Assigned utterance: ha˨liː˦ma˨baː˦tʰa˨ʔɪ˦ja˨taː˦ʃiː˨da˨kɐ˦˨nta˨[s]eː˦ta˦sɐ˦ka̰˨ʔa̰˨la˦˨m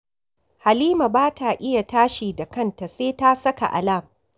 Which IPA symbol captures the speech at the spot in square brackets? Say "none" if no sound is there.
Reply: s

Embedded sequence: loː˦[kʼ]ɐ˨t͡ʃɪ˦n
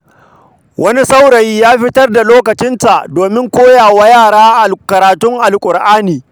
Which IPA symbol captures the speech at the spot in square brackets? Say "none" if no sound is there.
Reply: k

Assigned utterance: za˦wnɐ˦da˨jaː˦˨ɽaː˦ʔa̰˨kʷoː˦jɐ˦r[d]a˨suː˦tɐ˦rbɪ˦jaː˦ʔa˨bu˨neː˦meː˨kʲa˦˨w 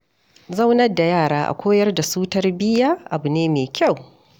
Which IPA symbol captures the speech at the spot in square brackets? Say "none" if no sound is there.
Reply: d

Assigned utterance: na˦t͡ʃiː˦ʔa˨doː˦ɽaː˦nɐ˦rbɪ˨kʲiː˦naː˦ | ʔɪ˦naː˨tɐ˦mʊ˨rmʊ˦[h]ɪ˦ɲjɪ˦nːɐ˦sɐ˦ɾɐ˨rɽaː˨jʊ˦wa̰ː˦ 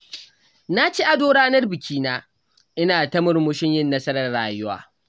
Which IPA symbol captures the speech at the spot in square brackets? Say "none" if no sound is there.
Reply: ʃ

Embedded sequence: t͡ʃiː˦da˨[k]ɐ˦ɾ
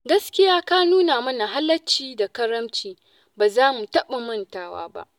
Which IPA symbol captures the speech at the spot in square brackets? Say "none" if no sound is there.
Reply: k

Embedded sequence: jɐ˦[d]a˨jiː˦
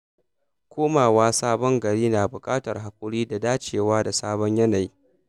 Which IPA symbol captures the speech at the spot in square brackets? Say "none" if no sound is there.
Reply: n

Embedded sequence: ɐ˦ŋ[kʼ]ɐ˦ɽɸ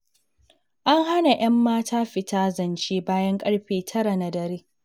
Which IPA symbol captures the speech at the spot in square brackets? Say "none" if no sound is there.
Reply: kʼ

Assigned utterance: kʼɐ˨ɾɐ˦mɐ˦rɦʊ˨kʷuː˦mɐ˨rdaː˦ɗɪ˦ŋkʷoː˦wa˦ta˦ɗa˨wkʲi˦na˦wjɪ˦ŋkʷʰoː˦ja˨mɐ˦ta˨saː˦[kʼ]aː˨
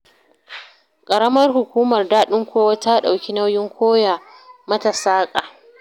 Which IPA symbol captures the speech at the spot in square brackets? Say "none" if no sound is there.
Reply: kʼ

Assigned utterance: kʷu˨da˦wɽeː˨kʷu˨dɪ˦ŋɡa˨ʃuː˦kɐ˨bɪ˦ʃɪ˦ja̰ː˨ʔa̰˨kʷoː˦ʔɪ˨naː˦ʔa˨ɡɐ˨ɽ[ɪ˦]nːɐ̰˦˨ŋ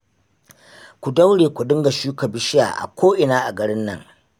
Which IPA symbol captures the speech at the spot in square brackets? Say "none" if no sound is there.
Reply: ɪ˦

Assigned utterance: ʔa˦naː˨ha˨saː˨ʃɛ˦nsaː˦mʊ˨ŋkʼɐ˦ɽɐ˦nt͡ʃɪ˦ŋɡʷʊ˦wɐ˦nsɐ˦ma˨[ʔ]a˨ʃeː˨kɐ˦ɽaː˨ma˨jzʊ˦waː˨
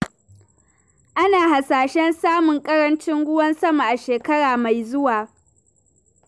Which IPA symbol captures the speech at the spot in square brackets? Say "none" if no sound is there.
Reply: ʔ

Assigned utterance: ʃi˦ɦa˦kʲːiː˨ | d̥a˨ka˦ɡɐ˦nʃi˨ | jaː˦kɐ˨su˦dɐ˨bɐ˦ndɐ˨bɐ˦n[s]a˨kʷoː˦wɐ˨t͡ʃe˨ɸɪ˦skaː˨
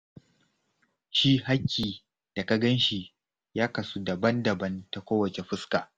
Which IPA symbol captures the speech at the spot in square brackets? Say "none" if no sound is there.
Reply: t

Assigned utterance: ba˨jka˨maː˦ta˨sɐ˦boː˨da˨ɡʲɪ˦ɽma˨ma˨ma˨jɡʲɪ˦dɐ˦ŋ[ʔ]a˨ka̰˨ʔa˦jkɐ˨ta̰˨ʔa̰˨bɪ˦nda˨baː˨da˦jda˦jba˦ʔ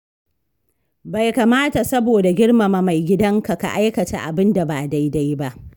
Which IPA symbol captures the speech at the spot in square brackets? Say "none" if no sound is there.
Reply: k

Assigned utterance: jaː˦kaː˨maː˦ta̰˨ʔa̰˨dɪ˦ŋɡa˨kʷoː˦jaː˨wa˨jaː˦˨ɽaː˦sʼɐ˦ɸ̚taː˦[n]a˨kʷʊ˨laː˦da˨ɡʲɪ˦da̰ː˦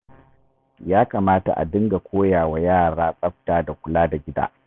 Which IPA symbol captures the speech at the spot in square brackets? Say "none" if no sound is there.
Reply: d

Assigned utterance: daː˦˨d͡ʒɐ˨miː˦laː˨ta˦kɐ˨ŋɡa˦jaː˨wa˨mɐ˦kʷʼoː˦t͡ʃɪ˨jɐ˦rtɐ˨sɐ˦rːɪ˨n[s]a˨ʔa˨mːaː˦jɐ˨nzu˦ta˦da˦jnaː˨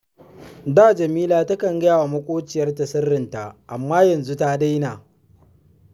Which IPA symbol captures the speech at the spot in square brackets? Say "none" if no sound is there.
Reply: t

